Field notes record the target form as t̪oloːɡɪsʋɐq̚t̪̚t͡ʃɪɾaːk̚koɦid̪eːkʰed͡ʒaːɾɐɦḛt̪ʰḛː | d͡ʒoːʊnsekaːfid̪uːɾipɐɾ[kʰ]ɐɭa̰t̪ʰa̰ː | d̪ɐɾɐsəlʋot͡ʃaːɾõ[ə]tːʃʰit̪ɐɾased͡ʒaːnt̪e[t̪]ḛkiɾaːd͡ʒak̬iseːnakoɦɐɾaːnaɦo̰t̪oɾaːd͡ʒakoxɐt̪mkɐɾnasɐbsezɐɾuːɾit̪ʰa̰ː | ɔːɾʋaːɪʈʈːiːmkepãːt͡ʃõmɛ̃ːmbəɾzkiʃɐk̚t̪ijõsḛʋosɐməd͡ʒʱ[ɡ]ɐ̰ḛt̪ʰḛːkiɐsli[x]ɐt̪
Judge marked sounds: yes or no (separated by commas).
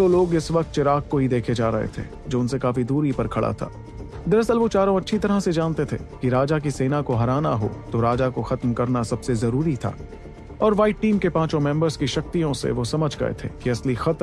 yes, no, no, yes, yes